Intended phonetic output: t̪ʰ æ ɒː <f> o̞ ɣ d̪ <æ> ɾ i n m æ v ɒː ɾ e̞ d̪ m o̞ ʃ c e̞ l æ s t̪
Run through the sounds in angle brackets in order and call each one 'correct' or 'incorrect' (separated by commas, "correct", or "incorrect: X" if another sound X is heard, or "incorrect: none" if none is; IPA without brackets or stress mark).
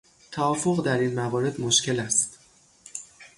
correct, correct